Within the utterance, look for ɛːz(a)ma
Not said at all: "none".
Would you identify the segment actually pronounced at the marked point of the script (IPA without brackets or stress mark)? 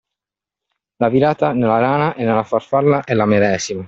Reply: i